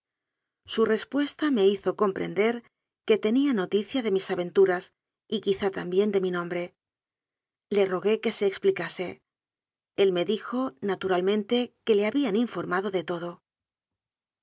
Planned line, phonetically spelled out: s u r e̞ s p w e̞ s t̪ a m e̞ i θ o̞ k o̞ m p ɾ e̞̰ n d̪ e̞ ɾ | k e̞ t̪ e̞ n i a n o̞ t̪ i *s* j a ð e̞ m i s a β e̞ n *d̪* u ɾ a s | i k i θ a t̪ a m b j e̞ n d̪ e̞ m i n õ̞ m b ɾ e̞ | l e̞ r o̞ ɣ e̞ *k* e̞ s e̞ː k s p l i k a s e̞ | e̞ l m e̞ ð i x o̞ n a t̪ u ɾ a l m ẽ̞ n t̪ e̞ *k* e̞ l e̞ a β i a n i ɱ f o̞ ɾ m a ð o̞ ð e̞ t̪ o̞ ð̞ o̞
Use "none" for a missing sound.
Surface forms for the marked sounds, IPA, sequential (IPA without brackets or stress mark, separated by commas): θ, t̪, k, k